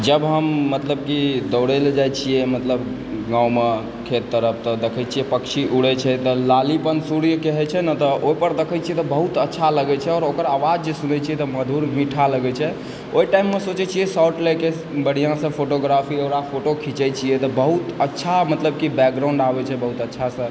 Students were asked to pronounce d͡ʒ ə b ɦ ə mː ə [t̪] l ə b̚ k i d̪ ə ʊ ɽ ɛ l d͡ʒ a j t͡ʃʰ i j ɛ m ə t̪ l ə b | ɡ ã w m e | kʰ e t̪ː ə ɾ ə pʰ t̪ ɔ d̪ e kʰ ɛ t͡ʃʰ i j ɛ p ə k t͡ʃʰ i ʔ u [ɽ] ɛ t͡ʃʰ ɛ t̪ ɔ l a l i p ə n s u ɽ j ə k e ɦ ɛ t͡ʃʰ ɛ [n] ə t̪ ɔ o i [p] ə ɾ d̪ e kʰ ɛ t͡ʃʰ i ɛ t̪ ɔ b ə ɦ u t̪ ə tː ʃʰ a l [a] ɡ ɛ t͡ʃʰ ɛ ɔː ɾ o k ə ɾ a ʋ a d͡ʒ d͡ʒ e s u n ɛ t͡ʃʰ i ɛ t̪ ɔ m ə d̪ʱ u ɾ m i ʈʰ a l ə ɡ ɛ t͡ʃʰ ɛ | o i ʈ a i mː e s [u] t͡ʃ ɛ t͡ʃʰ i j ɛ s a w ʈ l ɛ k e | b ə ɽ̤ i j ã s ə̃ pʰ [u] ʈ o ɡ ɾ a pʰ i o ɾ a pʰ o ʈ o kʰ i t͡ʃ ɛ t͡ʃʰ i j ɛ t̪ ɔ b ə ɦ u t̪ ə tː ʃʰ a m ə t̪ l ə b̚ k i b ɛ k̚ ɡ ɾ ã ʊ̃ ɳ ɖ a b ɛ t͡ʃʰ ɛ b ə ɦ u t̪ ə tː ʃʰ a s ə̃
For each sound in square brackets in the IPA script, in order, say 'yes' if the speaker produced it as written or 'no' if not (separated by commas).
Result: yes, yes, yes, yes, no, no, no